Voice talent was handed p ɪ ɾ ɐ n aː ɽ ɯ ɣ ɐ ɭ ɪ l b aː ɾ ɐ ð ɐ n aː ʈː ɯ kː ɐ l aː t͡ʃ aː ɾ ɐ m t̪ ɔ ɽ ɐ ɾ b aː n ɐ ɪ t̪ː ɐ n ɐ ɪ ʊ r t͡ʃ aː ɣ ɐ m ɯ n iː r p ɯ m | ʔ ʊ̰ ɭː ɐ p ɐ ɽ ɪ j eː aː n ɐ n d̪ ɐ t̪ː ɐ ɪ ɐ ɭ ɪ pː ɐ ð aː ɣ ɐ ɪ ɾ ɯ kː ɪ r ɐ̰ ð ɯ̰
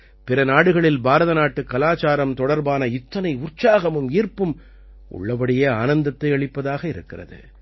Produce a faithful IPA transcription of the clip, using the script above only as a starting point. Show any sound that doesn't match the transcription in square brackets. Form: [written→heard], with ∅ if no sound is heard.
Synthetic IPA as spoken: p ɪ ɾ ɐ n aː ɽ ɯ ɣ ɐ ɭ ɪ l b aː ɾ ɐ ð ɐ n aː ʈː ɯ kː ɐ l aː t͡ʃ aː ɾ ɐ m t̪ ɔ ɽ ɐ ɾ b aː n ɐ ɪ t̪ː ɐ n ɐ ɪ ʊ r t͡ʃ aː ɣ ɐ m ɯ [n→m] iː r p ɯ m | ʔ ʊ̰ ɭː ɐ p ɐ ɽ ɪ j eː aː n ɐ n d̪ ɐ t̪ː ɐ ɪ ɐ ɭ ɪ pː ɐ ð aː ɣ ɐ ɪ ɾ ɯ kː ɪ r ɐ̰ ð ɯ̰